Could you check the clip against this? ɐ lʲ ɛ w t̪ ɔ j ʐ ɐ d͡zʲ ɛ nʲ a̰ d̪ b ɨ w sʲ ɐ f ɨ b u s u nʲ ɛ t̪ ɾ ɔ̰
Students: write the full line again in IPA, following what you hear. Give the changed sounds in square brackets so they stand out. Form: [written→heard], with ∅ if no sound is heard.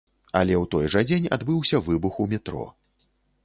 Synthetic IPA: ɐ lʲ ɛ w t̪ ɔ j ʐ ɐ d͡zʲ [ɛ→e] nʲ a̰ d̪ b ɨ w sʲ ɐ [f→v] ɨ b u [s→x] u [nʲ→mʲ] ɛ t̪ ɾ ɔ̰